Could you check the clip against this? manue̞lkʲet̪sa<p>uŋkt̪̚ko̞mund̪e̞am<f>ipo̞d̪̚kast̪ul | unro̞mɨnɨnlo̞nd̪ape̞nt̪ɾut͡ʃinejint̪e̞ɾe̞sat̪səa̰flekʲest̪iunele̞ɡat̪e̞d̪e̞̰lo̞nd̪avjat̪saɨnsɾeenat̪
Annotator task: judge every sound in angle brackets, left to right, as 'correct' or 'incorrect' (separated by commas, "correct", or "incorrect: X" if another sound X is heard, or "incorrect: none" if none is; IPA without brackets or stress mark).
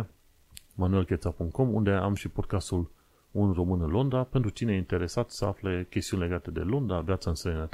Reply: correct, incorrect: ʃ